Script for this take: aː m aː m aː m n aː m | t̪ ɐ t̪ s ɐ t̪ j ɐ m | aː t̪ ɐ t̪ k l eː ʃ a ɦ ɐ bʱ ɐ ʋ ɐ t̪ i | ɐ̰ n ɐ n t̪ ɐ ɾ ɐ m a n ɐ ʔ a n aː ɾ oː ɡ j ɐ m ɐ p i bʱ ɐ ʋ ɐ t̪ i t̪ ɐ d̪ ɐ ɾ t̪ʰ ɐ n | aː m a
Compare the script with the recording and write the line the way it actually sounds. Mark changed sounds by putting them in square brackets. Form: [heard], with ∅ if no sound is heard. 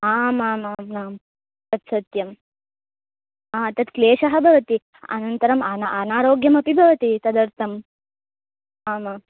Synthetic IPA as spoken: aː m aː m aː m n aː m | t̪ ɐ t̪ s ɐ t̪ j ɐ m | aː t̪ ɐ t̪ k l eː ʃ [ɐ] ɦ ɐ bʱ ɐ ʋ ɐ t̪ i | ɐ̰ n ɐ n t̪ ɐ ɾ ɐ m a n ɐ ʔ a n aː ɾ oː ɡ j ɐ m ɐ p i bʱ ɐ ʋ ɐ t̪ i t̪ ɐ d̪ ɐ ɾ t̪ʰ ɐ [m] | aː m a